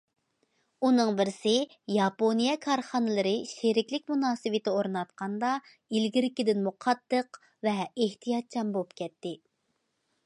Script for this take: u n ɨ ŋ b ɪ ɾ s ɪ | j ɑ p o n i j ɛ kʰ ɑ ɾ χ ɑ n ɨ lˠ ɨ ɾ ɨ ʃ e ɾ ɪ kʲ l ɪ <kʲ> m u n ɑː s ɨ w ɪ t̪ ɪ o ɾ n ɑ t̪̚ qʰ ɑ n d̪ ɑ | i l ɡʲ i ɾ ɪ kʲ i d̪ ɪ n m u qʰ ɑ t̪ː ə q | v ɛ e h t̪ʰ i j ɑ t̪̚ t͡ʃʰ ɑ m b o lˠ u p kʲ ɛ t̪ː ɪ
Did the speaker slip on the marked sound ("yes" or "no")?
no